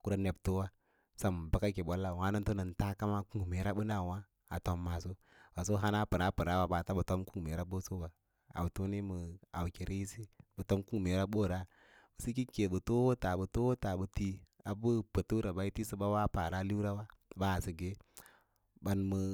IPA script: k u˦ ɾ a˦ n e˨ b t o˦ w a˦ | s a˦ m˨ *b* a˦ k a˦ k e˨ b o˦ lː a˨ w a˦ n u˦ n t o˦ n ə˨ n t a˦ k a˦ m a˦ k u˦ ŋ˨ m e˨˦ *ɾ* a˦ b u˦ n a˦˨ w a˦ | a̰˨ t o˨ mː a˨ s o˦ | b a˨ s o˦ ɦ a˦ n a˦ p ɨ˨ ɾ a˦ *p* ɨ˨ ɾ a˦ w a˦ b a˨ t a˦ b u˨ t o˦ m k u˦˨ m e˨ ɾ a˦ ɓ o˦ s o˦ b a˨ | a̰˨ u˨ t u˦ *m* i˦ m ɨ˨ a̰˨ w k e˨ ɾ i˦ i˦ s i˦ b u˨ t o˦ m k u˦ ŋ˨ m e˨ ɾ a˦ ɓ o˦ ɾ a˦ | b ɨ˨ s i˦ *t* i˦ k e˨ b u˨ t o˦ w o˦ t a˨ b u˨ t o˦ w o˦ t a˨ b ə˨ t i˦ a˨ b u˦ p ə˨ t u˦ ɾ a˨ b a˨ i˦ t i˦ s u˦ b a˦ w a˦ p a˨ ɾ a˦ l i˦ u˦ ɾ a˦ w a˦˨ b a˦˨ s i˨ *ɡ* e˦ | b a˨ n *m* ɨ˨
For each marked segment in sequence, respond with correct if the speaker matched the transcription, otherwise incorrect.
correct, correct, correct, incorrect, incorrect, correct, correct

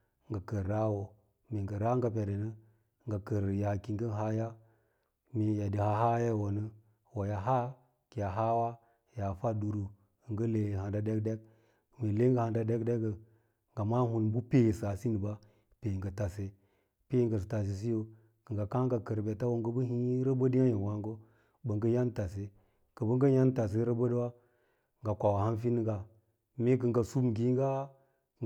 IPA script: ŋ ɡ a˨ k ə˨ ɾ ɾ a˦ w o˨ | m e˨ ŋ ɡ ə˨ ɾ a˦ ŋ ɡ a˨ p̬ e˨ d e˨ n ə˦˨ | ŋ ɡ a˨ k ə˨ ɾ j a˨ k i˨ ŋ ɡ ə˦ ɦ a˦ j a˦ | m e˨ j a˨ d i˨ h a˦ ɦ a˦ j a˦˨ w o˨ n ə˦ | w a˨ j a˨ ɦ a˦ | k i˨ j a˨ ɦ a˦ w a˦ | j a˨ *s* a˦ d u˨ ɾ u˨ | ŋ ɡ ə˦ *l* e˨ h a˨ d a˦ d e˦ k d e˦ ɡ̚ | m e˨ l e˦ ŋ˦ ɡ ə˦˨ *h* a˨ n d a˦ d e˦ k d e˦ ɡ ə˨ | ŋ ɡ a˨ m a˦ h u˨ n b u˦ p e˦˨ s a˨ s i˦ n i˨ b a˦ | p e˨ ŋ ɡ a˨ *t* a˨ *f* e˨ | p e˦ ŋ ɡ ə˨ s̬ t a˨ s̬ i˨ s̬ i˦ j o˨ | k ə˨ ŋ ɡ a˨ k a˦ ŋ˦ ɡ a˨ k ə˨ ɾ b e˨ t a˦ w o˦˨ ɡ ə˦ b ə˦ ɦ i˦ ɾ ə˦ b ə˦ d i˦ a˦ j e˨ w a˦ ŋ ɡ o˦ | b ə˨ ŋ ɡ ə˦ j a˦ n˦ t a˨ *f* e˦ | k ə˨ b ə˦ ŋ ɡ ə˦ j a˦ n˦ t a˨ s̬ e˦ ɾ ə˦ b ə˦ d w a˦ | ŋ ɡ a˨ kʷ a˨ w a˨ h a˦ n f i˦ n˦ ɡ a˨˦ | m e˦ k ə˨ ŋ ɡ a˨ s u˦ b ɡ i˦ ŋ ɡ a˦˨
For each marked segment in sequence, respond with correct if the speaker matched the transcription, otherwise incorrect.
incorrect, correct, correct, correct, incorrect, incorrect

